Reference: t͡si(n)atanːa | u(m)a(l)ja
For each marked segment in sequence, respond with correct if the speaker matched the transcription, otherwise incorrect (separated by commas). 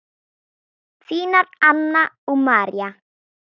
correct, correct, incorrect